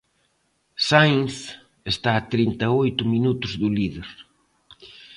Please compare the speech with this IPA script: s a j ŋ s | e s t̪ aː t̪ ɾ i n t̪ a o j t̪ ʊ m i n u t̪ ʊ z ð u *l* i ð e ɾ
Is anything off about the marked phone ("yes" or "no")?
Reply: no